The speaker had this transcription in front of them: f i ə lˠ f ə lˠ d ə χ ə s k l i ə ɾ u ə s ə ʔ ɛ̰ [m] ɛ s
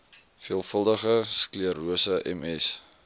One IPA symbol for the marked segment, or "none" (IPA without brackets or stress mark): m